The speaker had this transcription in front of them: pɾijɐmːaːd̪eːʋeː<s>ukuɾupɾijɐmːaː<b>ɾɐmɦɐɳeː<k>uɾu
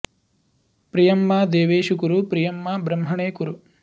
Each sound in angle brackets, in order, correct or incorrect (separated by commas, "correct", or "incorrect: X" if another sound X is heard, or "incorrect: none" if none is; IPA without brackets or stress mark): incorrect: ʃ, correct, correct